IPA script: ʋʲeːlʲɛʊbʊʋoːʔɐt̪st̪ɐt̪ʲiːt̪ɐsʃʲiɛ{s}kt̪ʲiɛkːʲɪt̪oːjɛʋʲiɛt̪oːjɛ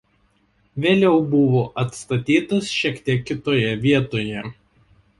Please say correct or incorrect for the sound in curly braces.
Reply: incorrect